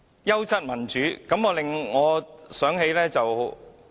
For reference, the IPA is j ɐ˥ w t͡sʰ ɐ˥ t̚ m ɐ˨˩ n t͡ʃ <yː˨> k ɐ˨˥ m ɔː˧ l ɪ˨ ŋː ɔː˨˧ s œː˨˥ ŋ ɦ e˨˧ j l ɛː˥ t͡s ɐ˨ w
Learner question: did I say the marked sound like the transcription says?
no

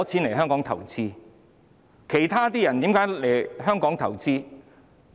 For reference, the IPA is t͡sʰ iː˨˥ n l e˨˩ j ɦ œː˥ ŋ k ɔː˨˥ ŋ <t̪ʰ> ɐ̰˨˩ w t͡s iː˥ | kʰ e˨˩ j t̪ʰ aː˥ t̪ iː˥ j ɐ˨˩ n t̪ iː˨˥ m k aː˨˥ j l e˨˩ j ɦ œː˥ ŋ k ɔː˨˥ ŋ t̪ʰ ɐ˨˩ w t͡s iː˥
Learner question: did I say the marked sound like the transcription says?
yes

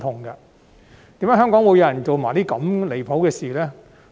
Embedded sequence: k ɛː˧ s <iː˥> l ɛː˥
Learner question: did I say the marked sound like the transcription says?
no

